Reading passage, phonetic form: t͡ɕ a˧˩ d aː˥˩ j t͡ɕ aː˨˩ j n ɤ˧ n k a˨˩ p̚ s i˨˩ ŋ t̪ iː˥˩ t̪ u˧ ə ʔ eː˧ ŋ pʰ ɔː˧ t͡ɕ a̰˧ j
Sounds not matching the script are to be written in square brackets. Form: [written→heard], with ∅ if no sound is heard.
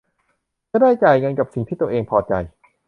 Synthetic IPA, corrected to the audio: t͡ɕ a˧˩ d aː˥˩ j t͡ɕ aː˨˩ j [n→ŋ] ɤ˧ n k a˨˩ p̚ s i˨˩ ŋ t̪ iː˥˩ t̪ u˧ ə ʔ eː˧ ŋ pʰ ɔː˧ t͡ɕ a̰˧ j

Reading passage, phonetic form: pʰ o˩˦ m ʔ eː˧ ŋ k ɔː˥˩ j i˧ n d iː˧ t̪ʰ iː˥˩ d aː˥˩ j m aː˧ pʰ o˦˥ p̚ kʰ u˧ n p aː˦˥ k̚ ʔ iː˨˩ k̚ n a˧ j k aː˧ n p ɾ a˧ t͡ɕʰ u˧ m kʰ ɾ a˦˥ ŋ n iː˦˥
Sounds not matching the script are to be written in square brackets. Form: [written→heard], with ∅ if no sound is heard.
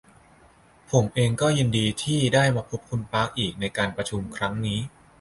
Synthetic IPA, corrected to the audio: pʰ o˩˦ m ʔ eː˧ ŋ k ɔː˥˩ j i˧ n d iː˧ t̪ʰ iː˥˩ d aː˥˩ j m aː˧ pʰ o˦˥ p̚ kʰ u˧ n p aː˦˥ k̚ ʔ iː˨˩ k̚ n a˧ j k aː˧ n p ɾ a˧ t͡ɕʰ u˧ m kʰ ɾ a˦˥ ŋ n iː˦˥

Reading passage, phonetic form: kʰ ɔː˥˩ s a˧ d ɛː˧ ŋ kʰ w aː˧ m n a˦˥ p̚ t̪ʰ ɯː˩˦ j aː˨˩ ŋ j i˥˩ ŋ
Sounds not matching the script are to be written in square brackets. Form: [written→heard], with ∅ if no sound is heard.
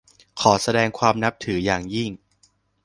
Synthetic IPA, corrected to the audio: kʰ [ɔː˥˩→ɔː˩˦] s a˧ d ɛː˧ ŋ kʰ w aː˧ m n a˦˥ p̚ t̪ʰ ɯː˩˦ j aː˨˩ ŋ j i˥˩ ŋ

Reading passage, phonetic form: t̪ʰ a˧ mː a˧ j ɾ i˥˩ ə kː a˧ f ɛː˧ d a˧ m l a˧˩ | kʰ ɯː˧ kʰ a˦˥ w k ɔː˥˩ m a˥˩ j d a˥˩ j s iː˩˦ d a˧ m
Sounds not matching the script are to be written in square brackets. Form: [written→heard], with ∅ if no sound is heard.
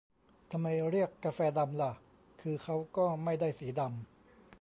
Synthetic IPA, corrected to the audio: t̪ʰ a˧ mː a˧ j ɾ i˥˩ ə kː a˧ f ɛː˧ d a˧ m l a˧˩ | kʰ ɯː˧ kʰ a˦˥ w k ɔː˥˩ m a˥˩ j d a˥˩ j s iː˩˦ d a˧ m

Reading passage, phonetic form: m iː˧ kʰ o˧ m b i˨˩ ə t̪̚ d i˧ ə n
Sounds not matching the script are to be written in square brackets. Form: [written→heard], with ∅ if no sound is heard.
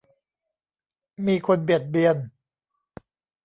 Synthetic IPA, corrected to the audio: m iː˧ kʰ o˧ [m→n] b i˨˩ ə t̪̚ [d→b] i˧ ə n

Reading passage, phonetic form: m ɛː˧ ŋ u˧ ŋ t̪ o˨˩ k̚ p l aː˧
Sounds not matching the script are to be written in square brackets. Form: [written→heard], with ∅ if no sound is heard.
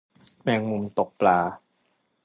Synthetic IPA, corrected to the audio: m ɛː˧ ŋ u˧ [ŋ→m] t̪ o˨˩ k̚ p l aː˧

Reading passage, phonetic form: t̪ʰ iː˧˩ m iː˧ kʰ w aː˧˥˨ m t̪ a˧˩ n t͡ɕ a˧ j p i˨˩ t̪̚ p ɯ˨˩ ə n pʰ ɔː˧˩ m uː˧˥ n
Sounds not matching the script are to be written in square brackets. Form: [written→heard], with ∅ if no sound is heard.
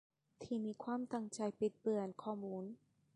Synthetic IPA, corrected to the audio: t̪ʰ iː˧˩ m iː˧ kʰ w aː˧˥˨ m t̪ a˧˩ [n→ŋ] t͡ɕ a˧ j p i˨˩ t̪̚ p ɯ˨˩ ə n [pʰ→kʰ] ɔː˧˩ m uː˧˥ n

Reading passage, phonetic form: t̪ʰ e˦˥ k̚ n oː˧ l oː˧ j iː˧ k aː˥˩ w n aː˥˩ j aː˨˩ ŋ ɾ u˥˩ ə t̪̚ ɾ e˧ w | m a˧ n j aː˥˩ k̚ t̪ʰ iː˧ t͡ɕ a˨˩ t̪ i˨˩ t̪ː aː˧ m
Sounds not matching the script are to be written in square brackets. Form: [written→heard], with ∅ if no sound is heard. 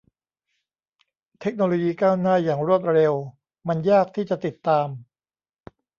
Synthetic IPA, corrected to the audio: t̪ʰ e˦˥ k̚ n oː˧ l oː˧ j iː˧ k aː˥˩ w n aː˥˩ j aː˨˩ ŋ ɾ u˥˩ ə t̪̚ ɾ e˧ w | m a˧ n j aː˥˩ k̚ t̪ʰ [iː˧→iː˥˩] t͡ɕ a˨˩ t̪ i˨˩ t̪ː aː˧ m

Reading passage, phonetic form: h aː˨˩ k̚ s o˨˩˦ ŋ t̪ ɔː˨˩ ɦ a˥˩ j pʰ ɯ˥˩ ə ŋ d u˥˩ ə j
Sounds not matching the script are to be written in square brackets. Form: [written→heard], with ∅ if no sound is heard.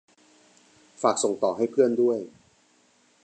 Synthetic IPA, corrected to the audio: [h→f] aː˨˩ k̚ s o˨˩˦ ŋ t̪ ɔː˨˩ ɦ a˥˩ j pʰ ɯ˥˩ ə [ŋ→n] d u˥˩ ə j

